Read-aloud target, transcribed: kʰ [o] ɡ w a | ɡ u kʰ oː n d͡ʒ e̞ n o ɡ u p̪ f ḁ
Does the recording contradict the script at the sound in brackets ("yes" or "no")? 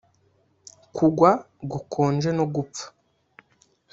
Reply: yes